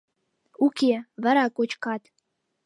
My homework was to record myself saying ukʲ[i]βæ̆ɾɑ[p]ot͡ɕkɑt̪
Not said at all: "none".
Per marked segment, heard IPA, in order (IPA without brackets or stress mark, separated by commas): e, k